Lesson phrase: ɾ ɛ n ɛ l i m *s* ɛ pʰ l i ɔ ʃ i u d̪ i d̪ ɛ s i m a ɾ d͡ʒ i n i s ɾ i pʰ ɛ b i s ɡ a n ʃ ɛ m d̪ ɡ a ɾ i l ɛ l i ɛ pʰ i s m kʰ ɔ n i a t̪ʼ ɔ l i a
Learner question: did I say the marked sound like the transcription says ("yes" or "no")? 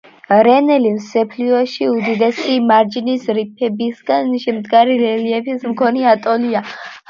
yes